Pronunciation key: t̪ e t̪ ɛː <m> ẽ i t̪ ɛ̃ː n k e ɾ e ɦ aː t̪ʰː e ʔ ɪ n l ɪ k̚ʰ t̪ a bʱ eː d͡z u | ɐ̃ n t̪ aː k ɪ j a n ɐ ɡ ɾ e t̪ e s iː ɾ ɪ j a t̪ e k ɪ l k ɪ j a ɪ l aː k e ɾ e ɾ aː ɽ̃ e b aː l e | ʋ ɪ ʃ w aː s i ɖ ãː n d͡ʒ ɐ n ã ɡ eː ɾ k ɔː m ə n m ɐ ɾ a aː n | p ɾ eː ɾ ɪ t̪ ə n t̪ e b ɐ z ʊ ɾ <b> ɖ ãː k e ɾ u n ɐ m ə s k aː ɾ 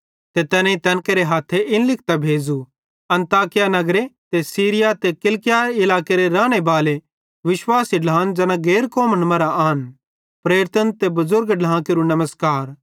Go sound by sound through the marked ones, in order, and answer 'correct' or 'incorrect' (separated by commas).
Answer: incorrect, incorrect